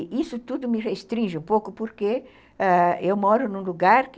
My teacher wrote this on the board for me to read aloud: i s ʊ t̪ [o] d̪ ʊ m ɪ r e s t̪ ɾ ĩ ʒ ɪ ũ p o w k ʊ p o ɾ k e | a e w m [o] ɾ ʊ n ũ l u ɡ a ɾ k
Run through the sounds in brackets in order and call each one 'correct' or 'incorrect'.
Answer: incorrect, incorrect

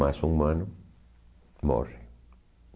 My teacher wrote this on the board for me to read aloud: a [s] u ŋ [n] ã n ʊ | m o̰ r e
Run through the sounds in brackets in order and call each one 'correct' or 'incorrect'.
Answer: correct, incorrect

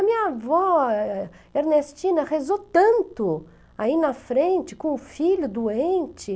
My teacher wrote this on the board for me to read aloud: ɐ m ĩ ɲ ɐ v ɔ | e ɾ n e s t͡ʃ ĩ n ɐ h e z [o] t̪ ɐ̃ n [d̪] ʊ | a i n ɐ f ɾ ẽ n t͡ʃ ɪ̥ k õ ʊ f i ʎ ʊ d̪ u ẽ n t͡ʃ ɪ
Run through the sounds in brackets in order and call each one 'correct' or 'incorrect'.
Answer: correct, incorrect

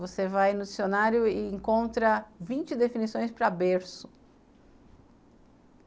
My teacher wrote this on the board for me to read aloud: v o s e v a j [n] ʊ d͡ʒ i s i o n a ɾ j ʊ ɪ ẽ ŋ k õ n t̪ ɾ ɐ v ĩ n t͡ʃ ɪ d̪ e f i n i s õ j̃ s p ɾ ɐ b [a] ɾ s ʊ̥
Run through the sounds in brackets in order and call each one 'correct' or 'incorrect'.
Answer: correct, incorrect

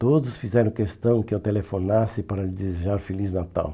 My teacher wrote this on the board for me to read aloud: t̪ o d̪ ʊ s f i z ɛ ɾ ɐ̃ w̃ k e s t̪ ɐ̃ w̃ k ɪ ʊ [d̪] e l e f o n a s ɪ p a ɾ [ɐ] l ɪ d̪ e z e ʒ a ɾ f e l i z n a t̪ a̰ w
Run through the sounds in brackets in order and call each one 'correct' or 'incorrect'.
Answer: incorrect, correct

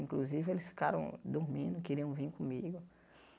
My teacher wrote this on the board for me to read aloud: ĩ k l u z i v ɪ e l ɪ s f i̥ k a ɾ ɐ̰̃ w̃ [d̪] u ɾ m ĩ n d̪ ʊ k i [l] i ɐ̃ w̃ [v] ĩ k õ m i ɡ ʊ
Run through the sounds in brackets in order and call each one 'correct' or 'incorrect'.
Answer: correct, incorrect, correct

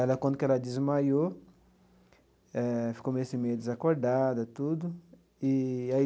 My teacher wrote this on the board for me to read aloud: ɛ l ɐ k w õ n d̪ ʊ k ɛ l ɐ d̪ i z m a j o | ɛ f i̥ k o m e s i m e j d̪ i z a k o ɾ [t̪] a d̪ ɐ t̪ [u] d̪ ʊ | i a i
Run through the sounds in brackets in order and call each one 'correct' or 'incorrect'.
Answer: incorrect, correct

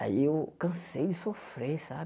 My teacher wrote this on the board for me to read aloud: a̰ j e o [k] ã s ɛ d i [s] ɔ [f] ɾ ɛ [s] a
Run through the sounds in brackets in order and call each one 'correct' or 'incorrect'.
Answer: correct, correct, correct, correct

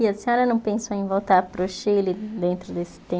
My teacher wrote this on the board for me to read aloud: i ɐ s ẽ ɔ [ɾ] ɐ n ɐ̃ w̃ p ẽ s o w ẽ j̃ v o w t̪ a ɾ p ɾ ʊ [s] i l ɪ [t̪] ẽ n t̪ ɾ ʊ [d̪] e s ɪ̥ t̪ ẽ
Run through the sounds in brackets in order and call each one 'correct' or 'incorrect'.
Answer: correct, incorrect, incorrect, correct

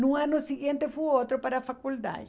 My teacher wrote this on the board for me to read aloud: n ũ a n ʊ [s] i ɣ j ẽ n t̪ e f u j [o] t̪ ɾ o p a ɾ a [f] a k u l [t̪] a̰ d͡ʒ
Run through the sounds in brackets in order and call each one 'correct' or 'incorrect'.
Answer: correct, correct, correct, incorrect

